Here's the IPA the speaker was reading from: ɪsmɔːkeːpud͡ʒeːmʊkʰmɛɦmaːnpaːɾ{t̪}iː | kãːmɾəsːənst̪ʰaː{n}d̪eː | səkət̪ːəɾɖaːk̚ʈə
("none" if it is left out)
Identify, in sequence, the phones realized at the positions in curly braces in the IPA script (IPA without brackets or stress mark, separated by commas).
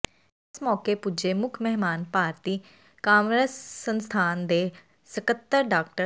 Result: t̪, n